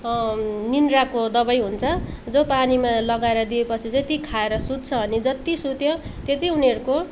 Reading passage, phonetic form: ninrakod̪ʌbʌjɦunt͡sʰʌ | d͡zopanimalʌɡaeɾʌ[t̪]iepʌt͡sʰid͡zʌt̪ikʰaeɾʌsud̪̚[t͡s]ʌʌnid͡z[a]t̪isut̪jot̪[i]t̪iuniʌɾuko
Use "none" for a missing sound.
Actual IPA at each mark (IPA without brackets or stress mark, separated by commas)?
d̪, t͡sʰ, ʌ, e